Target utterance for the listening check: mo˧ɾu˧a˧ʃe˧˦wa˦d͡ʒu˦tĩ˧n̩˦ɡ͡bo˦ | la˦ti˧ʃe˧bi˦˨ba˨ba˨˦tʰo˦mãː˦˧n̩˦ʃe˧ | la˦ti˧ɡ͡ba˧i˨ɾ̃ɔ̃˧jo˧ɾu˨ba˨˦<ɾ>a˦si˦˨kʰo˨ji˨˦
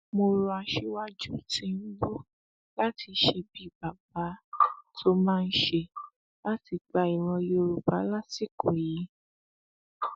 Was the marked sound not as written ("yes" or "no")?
yes